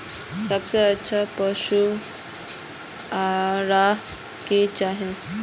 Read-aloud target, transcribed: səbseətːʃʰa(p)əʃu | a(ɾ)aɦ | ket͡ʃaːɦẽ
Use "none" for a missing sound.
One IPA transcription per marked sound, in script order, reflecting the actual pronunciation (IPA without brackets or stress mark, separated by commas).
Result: p, ɾ